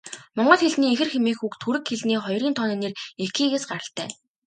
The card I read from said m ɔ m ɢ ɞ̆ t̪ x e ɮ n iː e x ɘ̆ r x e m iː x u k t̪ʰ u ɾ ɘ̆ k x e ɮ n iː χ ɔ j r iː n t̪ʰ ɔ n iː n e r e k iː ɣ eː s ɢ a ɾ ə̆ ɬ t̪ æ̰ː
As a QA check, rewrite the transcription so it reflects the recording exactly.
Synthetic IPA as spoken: m ɔ ɴ ɢ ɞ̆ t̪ x e ɮ n iː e x ɘ̆ r x e m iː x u k t̪ʰ u ɾ ɘ̆ k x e ɮ n iː χ ɔ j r iː n t̪ʰ ɔ n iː n e r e k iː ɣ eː s ɢ a ɾ ə̆ ɬ t̪ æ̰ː